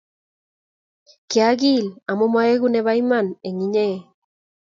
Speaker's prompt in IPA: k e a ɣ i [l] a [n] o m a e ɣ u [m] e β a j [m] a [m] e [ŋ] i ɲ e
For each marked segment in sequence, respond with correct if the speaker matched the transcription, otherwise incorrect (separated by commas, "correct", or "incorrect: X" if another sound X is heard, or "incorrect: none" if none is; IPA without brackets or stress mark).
correct, incorrect: m, incorrect: n, correct, incorrect: n, correct